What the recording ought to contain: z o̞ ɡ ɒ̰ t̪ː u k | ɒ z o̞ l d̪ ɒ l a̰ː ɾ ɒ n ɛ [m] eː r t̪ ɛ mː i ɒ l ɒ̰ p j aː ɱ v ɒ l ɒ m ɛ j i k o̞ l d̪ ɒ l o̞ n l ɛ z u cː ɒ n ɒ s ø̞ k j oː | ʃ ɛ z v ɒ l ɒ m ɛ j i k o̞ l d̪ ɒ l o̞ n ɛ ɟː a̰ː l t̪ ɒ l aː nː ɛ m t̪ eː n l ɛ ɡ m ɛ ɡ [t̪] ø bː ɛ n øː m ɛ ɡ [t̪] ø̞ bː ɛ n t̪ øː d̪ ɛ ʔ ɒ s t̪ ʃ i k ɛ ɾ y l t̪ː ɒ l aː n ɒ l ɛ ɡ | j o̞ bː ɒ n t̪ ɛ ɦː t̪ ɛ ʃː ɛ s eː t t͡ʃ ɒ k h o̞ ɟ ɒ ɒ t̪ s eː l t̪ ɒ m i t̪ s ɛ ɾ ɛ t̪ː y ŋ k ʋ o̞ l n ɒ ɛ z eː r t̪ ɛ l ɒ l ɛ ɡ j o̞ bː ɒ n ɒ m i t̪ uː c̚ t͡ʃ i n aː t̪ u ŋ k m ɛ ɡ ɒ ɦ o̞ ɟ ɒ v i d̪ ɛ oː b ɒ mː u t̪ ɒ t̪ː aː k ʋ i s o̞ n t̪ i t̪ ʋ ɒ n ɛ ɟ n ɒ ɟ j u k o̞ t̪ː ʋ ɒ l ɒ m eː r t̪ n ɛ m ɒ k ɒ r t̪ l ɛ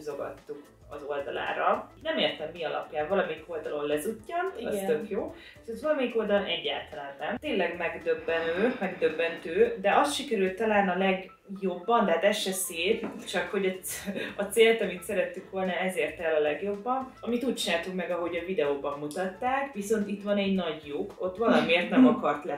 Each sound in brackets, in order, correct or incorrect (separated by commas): correct, incorrect, incorrect